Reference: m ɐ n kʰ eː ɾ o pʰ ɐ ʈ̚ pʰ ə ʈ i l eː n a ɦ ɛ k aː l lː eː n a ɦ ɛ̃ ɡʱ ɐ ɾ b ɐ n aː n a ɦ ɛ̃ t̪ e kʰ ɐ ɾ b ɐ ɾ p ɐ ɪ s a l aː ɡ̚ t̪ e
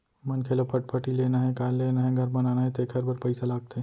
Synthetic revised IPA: m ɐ n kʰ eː l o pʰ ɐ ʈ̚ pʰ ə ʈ i l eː n a ɦ ɛ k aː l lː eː n a ɦ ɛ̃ ɡʱ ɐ ɾ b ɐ n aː n a ɦ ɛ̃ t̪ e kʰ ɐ ɾ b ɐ ɾ p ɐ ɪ s a l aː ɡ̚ t̪ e